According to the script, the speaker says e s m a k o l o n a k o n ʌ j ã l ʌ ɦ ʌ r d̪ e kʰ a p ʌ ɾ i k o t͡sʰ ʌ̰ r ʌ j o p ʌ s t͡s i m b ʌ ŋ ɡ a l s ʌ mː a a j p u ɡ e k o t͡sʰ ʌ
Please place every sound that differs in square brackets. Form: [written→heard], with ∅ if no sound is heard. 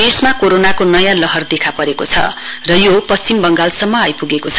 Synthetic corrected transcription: e s m a k o [l→ɾ] o n a k o n ʌ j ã l ʌ ɦ ʌ r d̪ e kʰ a p ʌ ɾ [i→e] k o t͡sʰ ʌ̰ r ʌ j o p ʌ s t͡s i m b ʌ ŋ ɡ a l s ʌ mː [a→ʌ] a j p u ɡ e k o t͡sʰ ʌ